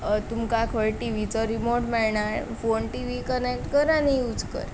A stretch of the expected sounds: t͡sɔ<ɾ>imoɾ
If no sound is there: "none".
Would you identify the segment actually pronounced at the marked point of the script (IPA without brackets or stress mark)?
ɾ